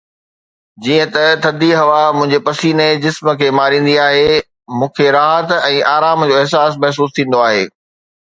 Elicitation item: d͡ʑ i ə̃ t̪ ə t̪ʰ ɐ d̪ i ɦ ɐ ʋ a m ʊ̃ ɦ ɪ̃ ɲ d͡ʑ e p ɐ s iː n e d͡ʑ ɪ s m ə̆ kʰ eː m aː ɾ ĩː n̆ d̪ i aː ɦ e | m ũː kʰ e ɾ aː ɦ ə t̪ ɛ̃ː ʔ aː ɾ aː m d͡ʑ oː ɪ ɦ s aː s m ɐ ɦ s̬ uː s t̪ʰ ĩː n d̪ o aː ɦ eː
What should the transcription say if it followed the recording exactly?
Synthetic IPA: d͡ʑ iː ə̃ t̪ ɐ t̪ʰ ɐ d̪ i ɦ ɐ ʋ a m ʊ̃ ɦ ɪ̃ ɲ d͡ʑ e p ɐ s iː n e d͡ʑ ɪ s m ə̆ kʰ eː m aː ɾ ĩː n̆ d̪ i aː ɦ e | m ũː kʰ e ɾ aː ɦ ə t̪ ɛ̃ː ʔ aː ɾ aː m d͡ʑ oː ɪ ɦ s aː s m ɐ ɦ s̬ uː s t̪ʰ ĩː n d̪ o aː ɦ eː